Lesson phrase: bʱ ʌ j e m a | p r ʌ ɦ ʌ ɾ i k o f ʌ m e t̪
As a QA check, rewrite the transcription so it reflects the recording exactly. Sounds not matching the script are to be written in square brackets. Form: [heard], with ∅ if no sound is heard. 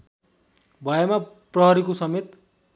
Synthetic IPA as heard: bʱ ʌ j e m a | p r ʌ ɦ ʌ ɾ i k o [s] ʌ m e t̪